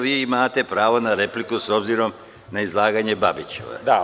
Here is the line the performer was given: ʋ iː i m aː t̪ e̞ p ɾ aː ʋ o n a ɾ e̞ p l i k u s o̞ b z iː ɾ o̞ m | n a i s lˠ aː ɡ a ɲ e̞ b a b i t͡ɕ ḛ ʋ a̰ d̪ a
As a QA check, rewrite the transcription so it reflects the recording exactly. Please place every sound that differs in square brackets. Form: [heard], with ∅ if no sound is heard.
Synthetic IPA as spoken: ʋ iː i m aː t̪ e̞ p ɾ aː ʋ o n a ɾ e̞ p l i k u s o̞ b z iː ɾ o̞ m | n a i [z] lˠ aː ɡ a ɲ e̞ b a b i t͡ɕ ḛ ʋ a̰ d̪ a